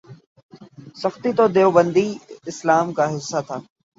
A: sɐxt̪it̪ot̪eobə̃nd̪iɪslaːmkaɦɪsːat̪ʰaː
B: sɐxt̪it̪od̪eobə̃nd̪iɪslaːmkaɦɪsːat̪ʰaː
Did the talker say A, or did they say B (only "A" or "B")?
B